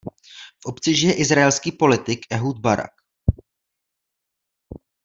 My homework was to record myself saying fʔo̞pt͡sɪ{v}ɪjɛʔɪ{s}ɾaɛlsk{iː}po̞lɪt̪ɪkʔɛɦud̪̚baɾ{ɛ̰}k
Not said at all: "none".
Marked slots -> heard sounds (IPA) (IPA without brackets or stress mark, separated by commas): ʒ, z, iː, a̰